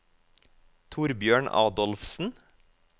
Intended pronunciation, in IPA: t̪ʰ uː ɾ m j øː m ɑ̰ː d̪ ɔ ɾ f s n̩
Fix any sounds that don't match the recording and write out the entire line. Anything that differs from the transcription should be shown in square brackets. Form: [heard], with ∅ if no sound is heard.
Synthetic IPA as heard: t̪ʰ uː ɾ [b] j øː [ɳ] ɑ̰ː d̪ ɔ [l] f s n̩